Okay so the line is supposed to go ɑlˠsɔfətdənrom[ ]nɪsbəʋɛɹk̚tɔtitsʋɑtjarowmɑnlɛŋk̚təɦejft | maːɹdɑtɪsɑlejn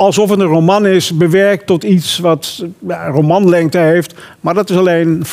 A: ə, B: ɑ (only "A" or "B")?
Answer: B